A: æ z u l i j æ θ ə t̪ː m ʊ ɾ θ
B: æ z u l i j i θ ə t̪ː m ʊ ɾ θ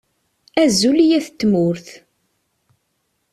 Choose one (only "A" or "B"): A